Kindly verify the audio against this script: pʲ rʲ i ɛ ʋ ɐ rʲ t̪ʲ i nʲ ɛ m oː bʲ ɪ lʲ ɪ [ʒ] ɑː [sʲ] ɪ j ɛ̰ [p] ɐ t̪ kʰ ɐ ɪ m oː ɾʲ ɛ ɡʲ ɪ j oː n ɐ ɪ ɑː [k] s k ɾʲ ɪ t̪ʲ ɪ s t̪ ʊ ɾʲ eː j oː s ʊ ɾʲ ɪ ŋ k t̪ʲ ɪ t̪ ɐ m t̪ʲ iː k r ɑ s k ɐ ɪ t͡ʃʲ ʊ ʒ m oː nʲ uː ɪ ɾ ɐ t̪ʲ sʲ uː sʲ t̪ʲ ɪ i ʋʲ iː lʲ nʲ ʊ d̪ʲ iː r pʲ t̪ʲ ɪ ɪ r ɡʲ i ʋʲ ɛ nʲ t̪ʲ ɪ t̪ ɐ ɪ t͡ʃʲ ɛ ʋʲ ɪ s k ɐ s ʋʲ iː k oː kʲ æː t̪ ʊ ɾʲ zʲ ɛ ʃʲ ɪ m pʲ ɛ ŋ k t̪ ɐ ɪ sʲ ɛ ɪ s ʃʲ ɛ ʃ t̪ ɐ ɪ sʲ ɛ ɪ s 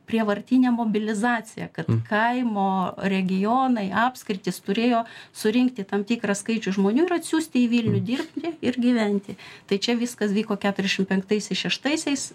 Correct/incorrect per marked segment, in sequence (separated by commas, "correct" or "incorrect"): incorrect, incorrect, incorrect, incorrect